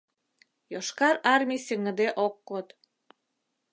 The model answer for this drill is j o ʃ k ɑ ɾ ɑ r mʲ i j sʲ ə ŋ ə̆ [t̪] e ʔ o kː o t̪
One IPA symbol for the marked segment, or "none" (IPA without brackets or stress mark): d̪